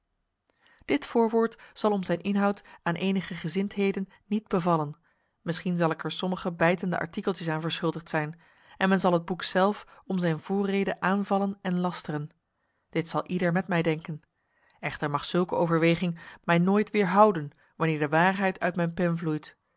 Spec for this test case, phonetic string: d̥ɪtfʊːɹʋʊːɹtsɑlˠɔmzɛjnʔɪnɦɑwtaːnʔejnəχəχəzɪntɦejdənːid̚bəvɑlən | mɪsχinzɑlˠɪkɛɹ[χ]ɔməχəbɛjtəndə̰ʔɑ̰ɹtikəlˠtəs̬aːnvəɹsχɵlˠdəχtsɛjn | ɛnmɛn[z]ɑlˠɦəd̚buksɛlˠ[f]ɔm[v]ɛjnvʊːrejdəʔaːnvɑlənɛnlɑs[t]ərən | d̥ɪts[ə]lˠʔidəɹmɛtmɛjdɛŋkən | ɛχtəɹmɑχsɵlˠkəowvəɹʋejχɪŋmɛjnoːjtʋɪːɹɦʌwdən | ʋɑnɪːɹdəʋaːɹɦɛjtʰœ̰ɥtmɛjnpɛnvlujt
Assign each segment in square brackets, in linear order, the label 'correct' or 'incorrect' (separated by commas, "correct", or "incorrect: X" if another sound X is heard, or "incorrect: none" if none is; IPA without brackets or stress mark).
incorrect: s, correct, correct, incorrect: z, correct, incorrect: ɑ